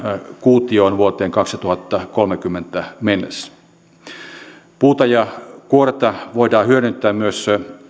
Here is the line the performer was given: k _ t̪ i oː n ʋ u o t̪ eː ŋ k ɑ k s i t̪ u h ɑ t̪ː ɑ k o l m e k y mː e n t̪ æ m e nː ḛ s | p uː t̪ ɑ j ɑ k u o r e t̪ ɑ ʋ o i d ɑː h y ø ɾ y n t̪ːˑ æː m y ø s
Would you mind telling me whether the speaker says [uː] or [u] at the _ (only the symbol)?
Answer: uː